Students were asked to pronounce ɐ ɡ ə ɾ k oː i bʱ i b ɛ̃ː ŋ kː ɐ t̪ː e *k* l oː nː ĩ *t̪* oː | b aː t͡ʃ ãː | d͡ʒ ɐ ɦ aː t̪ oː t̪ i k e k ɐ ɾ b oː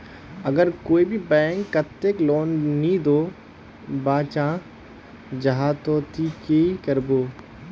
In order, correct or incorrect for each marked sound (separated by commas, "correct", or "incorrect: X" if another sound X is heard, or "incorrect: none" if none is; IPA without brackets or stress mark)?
correct, incorrect: d̪